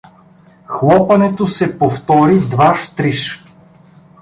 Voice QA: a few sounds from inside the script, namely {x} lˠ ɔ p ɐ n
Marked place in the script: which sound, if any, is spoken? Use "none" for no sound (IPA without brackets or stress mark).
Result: x